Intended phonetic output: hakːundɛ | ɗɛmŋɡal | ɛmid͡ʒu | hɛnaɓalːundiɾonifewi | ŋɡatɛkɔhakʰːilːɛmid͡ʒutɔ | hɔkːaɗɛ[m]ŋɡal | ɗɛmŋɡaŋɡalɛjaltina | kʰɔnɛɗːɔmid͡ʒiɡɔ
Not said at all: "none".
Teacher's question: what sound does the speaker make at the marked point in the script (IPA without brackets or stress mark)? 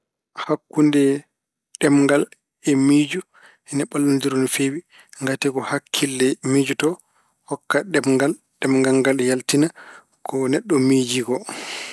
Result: m